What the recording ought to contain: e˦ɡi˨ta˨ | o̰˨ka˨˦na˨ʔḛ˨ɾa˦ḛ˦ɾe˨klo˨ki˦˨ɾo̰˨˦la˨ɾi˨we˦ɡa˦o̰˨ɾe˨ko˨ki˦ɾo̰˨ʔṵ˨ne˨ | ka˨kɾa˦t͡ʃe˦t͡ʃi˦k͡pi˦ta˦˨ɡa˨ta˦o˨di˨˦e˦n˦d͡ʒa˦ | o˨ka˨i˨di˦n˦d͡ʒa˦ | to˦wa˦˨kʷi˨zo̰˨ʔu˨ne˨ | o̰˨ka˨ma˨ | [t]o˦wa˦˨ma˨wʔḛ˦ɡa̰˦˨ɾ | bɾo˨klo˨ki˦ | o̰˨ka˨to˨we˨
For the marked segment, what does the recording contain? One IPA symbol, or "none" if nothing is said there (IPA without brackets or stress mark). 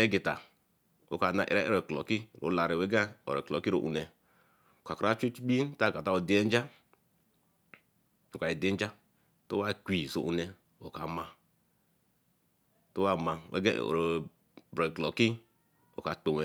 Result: t